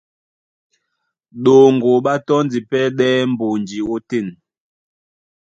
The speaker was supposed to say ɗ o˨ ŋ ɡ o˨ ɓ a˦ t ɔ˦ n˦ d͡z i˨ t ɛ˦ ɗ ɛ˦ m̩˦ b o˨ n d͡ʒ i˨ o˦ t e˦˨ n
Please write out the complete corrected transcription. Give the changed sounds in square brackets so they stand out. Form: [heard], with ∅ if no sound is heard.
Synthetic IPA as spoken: ɗ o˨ ŋ ɡ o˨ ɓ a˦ t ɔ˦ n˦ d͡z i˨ [p] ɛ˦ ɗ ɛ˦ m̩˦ b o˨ n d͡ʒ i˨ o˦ t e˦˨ n